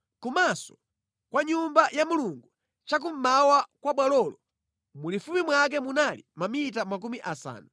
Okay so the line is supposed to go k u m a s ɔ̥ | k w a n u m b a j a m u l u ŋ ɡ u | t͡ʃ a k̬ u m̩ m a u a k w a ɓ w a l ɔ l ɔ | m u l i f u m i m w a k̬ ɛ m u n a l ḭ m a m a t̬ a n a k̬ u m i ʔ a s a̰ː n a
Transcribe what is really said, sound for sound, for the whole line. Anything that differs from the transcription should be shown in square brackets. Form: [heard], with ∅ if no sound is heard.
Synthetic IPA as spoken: k u m a s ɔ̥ | k w a [ɲ] u m b a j a m u l u ŋ ɡ u | t͡ʃ a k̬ u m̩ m a [w] a k w a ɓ w a l ɔ l ɔ | m u l i f u m i m w a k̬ ɛ m u n a l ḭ m a m [i] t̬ a [m] a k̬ u m i ʔ a s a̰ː n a